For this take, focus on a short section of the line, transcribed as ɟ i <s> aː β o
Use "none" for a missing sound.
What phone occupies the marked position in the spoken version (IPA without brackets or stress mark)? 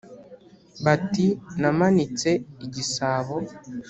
s